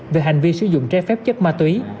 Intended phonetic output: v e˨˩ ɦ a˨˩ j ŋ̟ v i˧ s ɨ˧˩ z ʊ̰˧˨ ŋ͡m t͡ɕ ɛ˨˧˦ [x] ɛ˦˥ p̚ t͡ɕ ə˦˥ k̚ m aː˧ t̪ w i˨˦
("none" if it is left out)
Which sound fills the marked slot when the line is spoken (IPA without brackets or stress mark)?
f